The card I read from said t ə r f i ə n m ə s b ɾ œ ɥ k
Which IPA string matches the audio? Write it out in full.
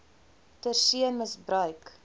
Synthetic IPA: t ə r s i ə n m ə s b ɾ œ ɥ k